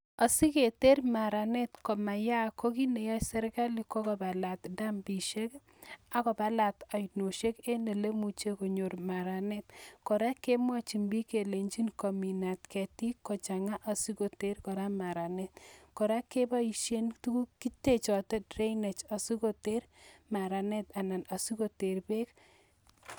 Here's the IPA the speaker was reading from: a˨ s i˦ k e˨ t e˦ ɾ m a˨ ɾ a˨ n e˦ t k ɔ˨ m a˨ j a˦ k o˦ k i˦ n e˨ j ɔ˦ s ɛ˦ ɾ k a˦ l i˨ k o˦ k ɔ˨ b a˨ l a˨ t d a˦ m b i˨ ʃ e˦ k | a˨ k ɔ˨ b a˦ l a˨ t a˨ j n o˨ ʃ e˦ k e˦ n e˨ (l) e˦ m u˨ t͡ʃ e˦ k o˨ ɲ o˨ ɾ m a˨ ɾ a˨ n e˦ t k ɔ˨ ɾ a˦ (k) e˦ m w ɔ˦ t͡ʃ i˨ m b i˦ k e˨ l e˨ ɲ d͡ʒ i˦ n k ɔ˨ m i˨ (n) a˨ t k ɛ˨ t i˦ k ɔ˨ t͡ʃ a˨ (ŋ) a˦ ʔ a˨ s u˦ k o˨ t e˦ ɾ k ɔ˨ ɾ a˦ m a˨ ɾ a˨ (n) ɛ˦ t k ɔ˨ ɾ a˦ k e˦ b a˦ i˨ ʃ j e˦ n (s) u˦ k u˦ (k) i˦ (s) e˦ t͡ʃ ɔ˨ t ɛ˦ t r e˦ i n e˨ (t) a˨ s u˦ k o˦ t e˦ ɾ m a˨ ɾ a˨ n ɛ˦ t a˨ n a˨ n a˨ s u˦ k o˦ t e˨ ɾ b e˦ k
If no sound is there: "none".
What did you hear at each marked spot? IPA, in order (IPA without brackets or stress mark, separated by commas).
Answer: l, k, n, ŋ, n, t, k, t, t͡ʃ